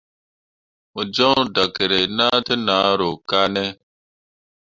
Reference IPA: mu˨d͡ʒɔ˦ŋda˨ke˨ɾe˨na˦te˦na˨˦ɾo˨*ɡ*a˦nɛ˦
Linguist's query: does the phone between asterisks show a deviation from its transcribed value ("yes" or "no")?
yes